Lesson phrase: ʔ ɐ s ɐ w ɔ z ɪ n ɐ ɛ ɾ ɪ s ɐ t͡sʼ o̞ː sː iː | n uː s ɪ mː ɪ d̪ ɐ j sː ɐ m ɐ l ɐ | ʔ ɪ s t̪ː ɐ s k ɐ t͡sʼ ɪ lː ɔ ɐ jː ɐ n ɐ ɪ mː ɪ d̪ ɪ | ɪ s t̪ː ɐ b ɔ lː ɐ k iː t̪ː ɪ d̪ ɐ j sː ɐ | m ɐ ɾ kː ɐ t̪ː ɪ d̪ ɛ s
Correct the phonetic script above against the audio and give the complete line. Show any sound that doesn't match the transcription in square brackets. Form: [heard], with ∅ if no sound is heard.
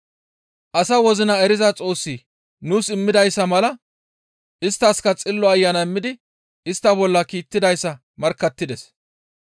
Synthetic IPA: ʔ ɐ s ɐ w ɔ z ɪ n ɐ ɛ ɾ ɪ [z] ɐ t͡sʼ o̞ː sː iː | n uː s ɪ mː ɪ d̪ ɐ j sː ɐ m ɐ l ɐ | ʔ ɪ s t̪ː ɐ s k ɐ t͡sʼ ɪ lː ɔ ɐ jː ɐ n ɐ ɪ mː ɪ d̪ ɪ | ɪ s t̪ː ɐ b ɔ lː ɐ k iː t̪ː ɪ d̪ ɐ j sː ɐ | m ɐ ɾ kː ɐ t̪ː ɪ d̪ ɛ s

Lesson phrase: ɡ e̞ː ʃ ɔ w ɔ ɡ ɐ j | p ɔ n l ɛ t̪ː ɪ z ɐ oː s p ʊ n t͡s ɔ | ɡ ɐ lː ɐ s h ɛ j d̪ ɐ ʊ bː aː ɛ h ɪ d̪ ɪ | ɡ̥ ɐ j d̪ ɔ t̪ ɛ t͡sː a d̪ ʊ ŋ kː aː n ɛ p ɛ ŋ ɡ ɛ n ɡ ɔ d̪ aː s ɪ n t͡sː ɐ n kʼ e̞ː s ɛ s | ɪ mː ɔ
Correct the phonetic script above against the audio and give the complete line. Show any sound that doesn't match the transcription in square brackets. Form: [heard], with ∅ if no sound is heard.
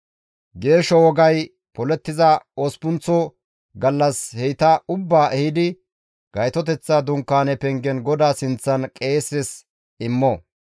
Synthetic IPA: ɡ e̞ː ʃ ɔ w ɔ ɡ ɐ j | p ɔ [∅] l ɛ t̪ː ɪ z ɐ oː s p ʊ n t͡s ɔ | ɡ ɐ lː ɐ s h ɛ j [t̪] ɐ ʊ bː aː ɛ h ɪ d̪ ɪ | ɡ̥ ɐ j [t̪] ɔ t̪ ɛ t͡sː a d̪ ʊ ŋ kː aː n ɛ p ɛ ŋ ɡ ɛ n ɡ ɔ d̪ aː s ɪ n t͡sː ɐ n kʼ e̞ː s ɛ s | ɪ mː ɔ

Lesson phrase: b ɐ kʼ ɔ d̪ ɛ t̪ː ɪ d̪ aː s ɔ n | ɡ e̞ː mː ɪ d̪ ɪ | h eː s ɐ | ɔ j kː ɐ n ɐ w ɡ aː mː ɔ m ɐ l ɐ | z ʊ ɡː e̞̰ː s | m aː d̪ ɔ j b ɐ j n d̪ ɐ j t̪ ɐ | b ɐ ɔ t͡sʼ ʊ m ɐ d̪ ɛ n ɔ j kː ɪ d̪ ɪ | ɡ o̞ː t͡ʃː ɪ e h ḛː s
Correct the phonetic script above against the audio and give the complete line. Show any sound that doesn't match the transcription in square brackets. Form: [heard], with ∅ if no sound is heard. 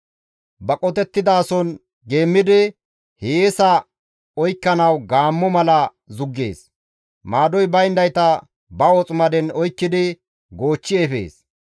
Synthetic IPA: b ɐ kʼ ɔ [t̪] ɛ t̪ː ɪ d̪ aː s ɔ n | ɡ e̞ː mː ɪ d̪ ɪ | h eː s ɐ | ɔ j kː ɐ n ɐ w ɡ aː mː ɔ m ɐ l ɐ | z ʊ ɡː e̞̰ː s | m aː d̪ ɔ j b ɐ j n d̪ ɐ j t̪ ɐ | b ɐ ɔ t͡sʼ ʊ m ɐ d̪ ɛ n ɔ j kː ɪ d̪ ɪ | ɡ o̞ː t͡ʃː ɪ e [f] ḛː s

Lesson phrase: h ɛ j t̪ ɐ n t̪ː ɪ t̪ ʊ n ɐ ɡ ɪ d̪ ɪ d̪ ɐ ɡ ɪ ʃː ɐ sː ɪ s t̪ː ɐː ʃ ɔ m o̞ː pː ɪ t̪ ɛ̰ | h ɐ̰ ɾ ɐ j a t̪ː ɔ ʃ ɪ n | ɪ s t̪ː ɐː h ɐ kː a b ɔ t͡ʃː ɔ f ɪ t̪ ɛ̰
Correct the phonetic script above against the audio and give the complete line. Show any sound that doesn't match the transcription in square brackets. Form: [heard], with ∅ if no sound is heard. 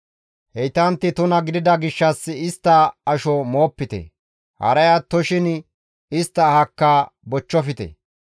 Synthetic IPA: h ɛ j t̪ ɐ n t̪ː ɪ t̪ ʊ n ɐ ɡ ɪ d̪ ɪ d̪ ɐ ɡ ɪ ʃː ɐ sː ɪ s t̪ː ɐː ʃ ɔ m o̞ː pː ɪ t̪ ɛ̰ | h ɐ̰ ɾ ɐ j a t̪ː ɔ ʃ ɪ n | ɪ s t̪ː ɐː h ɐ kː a b ɔ t͡ʃː ɔ f ɪ t̪ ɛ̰

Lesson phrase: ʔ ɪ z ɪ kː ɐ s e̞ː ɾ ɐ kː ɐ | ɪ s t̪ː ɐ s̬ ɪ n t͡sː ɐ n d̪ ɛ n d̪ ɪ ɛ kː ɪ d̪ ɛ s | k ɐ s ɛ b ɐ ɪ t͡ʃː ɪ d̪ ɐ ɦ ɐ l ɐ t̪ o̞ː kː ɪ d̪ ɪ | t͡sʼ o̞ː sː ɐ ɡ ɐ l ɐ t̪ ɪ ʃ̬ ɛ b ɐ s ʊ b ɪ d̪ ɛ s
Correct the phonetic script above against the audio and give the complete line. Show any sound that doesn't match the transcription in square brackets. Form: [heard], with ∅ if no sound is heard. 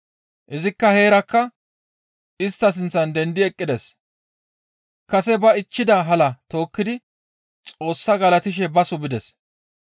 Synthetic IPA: ʔ ɪ z ɪ kː ɐ [h] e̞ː ɾ ɐ kː ɐ | ɪ s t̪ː ɐ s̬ ɪ n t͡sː ɐ n d̪ ɛ n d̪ ɪ ɛ [kʼː] ɪ d̪ ɛ s | k ɐ s ɛ b ɐ ɪ t͡ʃː ɪ d̪ ɐ ɦ ɐ l ɐ t̪ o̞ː kː ɪ d̪ ɪ | t͡sʼ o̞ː sː ɐ ɡ ɐ l ɐ t̪ ɪ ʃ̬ ɛ b ɐ s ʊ b ɪ d̪ ɛ s

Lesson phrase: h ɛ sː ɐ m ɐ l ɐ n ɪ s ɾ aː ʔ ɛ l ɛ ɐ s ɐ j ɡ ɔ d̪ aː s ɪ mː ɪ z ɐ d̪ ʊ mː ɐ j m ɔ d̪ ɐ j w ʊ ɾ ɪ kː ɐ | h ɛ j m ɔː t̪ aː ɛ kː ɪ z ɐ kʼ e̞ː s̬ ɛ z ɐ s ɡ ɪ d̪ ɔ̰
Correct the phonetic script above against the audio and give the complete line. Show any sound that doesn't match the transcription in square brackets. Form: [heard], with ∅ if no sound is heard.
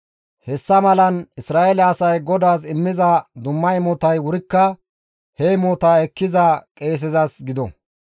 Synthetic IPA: h ɛ sː ɐ m ɐ l ɐ n ɪ s ɾ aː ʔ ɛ l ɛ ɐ s ɐ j ɡ ɔ d̪ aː s ɪ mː ɪ z ɐ d̪ ʊ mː ɐ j m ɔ [t̪] ɐ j w ʊ ɾ ɪ kː ɐ | h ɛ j m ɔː t̪ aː ɛ kː ɪ z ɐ kʼ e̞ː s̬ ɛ z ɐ s ɡ ɪ d̪ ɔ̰

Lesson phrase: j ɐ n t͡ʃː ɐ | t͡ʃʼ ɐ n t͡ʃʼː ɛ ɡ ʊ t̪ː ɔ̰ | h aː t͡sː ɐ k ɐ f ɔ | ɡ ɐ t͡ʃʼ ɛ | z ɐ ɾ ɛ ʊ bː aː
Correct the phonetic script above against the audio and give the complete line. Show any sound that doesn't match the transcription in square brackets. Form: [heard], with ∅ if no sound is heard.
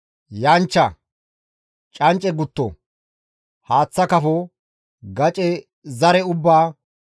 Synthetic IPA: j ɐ n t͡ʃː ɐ | t͡ʃʼ ɐ n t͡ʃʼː ɛ ɡ ʊ t̪ː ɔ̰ | h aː t͡sː ɐ k ɐ f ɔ | ɡ ɐ t͡ʃʼ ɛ | z ɐ ɾ ɛ ʊ bː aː

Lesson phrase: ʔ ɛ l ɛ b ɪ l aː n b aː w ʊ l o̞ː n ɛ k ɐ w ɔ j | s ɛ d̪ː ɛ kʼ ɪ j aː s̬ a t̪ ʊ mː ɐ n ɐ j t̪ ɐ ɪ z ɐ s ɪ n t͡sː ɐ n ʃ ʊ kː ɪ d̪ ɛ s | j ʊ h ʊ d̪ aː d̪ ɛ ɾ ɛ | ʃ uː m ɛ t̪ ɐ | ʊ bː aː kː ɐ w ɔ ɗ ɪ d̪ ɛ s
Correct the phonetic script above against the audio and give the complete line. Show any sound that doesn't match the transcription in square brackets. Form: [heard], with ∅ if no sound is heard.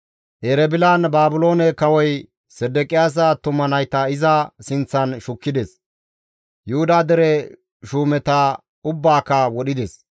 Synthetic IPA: ʔ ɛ [ɾ] ɛ b ɪ l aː n b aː [b] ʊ l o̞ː n ɛ k ɐ w ɔ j | s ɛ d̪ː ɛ kʼ ɪ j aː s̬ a t̪ ʊ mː ɐ n ɐ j t̪ ɐ ɪ z ɐ s ɪ n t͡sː ɐ n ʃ ʊ kː ɪ d̪ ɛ s | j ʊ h ʊ d̪ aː d̪ ɛ ɾ ɛ | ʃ uː m ɛ t̪ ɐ | ʊ bː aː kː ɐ w ɔ ɗ ɪ d̪ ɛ s

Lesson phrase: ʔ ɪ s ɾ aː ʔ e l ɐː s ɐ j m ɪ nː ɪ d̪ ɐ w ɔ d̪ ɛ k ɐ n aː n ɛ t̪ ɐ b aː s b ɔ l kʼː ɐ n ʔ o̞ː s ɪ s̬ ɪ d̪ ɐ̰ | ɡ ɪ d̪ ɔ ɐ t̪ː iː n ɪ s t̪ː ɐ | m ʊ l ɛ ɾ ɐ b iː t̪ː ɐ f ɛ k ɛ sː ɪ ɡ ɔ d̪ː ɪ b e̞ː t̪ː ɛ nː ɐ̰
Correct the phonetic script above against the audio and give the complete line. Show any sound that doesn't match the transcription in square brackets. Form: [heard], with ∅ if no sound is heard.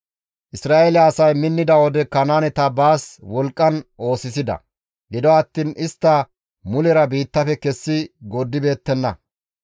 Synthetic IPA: ʔ ɪ s ɾ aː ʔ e l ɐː s ɐ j m ɪ nː ɪ d̪ ɐ w ɔ d̪ ɛ k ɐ n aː n ɛ t̪ ɐ b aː s [w] ɔ l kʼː ɐ n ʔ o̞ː s ɪ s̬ ɪ d̪ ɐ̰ | ɡ ɪ d̪ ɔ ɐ t̪ː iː n ɪ s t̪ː ɐ | m ʊ l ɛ ɾ ɐ b iː t̪ː ɐ f ɛ k ɛ sː ɪ ɡ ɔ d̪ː ɪ b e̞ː t̪ː ɛ nː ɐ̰

